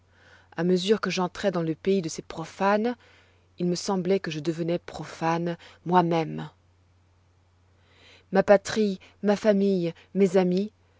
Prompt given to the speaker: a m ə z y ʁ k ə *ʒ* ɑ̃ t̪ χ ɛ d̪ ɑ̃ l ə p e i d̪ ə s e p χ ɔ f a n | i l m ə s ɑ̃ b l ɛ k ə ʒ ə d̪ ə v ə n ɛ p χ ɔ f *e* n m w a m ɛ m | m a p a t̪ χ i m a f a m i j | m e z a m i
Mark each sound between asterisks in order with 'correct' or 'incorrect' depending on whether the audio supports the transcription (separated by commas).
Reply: correct, incorrect